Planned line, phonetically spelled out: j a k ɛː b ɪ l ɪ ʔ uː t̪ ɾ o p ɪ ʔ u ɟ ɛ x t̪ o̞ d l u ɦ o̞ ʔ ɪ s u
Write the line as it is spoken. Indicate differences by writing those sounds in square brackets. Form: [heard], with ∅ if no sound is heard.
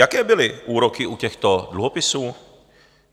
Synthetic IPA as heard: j a k ɛː b ɪ l ɪ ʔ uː [∅] ɾ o [k] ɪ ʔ u [c] ɛ x t̪ o̞ d l u ɦ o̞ [p] ɪ s [uː]